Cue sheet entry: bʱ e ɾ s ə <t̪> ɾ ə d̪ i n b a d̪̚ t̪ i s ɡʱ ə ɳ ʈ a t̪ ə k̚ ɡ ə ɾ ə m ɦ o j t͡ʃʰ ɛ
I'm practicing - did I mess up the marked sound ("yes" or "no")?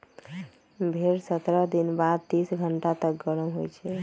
no